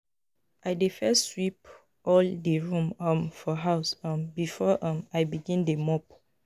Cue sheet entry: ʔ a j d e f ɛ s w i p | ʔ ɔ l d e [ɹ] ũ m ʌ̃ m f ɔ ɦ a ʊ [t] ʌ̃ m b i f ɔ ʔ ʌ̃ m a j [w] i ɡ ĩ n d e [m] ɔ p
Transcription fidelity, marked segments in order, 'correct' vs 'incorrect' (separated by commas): correct, incorrect, incorrect, correct